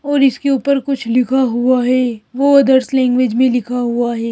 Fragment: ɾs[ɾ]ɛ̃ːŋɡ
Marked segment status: incorrect: l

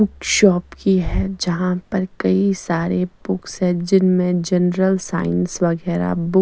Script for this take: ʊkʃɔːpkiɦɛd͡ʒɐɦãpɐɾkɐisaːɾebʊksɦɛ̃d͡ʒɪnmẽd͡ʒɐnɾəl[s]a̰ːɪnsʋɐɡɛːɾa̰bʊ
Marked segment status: correct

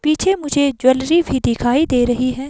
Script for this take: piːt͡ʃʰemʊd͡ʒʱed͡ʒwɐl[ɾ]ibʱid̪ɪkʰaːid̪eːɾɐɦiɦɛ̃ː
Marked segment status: correct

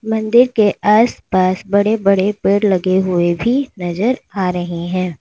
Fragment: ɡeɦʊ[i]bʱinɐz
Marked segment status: incorrect: e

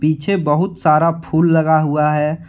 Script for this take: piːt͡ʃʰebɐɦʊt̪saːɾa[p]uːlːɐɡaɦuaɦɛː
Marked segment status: incorrect: pʰ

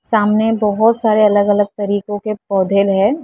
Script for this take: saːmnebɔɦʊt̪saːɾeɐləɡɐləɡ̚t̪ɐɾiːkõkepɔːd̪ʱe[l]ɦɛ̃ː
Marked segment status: correct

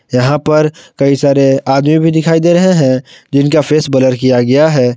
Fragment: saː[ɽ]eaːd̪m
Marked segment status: incorrect: ɾ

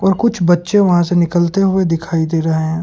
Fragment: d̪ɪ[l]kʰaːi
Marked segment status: incorrect: none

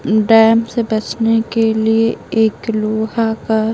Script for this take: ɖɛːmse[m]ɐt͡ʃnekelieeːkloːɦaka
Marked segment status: incorrect: b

